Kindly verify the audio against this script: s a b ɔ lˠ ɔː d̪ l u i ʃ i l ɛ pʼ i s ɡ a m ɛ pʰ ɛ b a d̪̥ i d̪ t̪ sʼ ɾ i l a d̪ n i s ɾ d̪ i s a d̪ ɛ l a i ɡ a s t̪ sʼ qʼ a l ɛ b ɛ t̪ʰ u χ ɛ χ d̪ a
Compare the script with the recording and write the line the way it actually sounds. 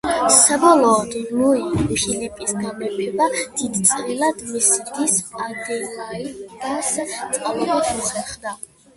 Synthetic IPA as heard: s a b ɔ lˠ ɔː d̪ l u i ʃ i l ɛ pʼ i s ɡ a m ɛ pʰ ɛ b a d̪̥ i d̪ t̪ sʼ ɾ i l a d̪ m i s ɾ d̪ i s a d̪ ɛ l a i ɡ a s t̪ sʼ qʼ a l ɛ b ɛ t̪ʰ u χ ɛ χ d̪ a